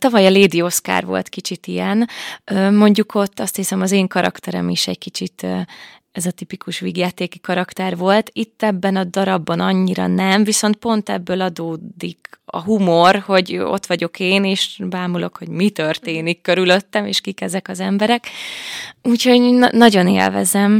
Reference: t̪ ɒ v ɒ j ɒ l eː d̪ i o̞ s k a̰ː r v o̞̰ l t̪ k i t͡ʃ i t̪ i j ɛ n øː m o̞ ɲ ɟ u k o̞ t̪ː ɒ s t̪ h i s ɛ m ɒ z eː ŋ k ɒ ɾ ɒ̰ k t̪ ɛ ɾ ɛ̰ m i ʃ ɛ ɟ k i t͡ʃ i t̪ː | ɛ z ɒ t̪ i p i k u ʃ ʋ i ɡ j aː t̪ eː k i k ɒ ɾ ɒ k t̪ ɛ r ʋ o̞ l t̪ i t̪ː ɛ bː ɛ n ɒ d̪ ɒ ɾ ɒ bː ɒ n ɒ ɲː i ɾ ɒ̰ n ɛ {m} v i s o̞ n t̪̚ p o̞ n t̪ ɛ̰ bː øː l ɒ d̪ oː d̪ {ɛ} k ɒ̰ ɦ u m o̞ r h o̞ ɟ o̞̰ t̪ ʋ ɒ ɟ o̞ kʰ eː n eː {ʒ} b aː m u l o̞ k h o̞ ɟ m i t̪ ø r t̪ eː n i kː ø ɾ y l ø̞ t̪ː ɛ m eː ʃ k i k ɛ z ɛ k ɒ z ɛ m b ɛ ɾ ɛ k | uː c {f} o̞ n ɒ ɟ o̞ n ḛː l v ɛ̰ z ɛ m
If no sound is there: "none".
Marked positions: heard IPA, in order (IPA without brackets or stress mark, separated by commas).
m, i, ʃ, h